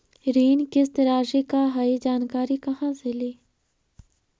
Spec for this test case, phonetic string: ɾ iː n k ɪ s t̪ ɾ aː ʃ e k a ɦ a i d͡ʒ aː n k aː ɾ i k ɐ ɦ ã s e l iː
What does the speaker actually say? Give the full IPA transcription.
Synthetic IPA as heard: ɾ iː n k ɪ s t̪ ɾ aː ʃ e k a ɦ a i d͡ʒ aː n k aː ɾ i k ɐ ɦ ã s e l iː

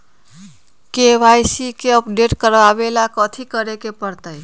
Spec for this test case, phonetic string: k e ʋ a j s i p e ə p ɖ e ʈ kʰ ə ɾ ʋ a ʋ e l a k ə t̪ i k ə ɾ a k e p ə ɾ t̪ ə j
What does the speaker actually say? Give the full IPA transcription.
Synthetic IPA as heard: k e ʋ a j s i k e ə p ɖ e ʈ k ə ɾ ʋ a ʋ e l a k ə t̪ʰ i k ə ɾ e k e p ə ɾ t̪ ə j

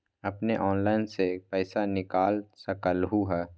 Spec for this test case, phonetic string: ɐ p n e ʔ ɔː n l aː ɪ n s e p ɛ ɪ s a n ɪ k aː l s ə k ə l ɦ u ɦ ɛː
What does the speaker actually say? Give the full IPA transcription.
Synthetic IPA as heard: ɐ p n e ʔ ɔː n l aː ɪ n s e p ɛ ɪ s a n ɪ k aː l s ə k ə l ɦ u ɦ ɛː

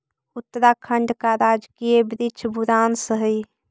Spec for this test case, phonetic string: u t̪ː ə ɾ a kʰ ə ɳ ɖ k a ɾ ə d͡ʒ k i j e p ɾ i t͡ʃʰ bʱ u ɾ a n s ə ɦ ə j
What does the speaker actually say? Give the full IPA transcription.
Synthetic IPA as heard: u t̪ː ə ɾ a kʰ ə ɳ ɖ k a ɾ a d͡ʒ k i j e b ɾ i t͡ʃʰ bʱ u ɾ a n s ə ɦ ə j

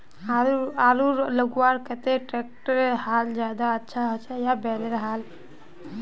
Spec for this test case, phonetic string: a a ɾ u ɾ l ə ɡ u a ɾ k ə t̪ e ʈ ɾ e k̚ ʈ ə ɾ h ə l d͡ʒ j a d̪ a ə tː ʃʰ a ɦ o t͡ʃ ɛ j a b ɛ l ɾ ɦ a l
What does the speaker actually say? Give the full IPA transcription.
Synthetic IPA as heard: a a ɾ u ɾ l ə ɡ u a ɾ k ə t̪ e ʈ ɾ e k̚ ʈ ə ɾ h a l d͡ʒ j a d̪ a ə tː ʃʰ a ɦ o t͡ʃ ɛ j a b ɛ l ɾ ɦ a l

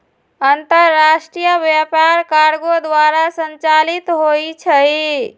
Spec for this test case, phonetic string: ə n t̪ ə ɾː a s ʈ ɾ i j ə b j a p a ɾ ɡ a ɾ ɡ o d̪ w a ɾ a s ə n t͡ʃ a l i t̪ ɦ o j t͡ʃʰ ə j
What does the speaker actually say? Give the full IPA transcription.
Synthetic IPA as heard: ə n t̪ ə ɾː a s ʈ ɾ i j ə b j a p a ɾ k a ɾ ɡ o d̪ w a ɾ a s ə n t͡ʃ a l i t̪ ɦ o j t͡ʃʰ ə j

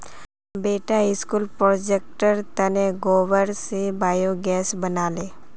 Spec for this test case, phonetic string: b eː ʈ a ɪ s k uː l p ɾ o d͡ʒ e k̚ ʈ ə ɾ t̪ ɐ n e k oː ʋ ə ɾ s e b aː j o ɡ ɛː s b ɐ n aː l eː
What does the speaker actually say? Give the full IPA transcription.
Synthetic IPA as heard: b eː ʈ a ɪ s k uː l p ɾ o d͡ʒ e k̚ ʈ ə ɾ t̪ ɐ n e ɡ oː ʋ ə ɾ s e b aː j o ɡ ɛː s b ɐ n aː l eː

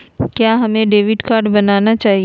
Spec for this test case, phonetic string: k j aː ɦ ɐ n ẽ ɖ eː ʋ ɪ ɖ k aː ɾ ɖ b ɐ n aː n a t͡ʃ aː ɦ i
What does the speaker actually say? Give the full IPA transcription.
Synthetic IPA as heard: k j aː ɦ ɐ m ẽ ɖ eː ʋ ɪ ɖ k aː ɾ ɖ b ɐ n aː n a t͡ʃ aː ɦ i

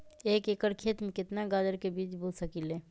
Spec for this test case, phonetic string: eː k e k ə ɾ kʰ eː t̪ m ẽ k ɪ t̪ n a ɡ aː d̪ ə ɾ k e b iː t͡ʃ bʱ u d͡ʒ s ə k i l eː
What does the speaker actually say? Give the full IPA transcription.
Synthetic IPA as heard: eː k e k ə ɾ kʰ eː t̪ m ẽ k ɪ t̪ n a ɡ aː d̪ ə ɾ k e b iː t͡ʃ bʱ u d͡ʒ s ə k i l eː

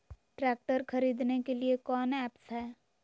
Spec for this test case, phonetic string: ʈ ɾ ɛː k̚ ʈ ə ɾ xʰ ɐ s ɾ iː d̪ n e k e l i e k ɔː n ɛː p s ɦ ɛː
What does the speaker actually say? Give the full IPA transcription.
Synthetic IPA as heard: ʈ ɾ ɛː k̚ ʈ ə ɾ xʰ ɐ ɾ iː d̪ n e k e l i e k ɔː n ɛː p s ɦ ɛː

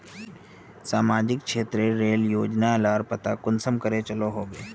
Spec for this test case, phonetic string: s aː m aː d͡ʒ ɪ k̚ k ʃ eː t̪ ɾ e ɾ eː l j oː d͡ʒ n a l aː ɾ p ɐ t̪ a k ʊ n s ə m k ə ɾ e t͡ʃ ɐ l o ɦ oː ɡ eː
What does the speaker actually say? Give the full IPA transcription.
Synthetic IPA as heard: s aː m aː d͡ʒ ɪ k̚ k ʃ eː t̪ ɾ e ɾ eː l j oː d͡ʒ n a l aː ɾ p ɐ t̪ a k ʊ n s ə m k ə ɾ e t͡ʃ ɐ l o ɦ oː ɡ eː

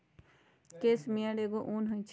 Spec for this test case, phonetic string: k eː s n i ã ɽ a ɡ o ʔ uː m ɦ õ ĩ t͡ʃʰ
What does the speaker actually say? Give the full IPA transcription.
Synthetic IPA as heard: k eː s m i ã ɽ e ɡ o ʔ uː n ɦ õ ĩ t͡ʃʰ

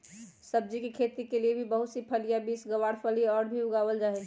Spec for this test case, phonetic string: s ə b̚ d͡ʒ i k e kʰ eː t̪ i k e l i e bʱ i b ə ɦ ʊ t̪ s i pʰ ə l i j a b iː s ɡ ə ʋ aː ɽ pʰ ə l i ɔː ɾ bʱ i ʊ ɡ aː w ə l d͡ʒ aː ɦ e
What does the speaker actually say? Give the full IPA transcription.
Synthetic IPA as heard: s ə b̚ d͡ʒ i k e kʰ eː t̪ i k e l i e bʱ i b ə ɦ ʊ t̪ s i pʰ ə l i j a b iː s ɡ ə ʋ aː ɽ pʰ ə l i ɔː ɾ bʱ i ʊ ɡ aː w ə l d͡ʒ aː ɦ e

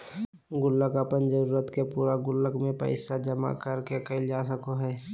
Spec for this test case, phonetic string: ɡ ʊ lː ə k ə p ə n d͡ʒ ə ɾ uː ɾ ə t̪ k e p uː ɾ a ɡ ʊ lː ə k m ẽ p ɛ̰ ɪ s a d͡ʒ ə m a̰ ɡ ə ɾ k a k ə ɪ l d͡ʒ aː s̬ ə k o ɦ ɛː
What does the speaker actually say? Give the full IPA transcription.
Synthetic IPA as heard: ɡ ʊ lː ə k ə p ə n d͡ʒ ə ɾ uː ɾ ə t̪ k e p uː ɾ a ɡ ʊ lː ə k m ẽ p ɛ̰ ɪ s a d͡ʒ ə m a̰ k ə ɾ k e k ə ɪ l d͡ʒ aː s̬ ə k o ɦ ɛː

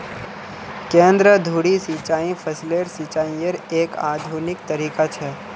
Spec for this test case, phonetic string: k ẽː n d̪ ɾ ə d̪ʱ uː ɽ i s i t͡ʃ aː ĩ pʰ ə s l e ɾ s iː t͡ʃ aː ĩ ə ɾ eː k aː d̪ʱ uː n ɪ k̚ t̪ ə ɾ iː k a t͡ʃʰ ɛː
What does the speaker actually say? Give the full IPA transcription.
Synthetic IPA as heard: k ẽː n d̪ ɾ ə d̪ʱ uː ɽ i s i t͡ʃ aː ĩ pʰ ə s l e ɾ s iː t͡ʃ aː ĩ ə ɾ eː k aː d̪ʱ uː n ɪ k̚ t̪ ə ɾ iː k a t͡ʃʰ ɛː

